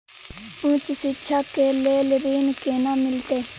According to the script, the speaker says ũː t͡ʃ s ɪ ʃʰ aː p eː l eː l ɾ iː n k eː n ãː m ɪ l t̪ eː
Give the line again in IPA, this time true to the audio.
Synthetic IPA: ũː t͡ʃ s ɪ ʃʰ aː k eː l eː l ɾ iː n k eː n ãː m ɪ l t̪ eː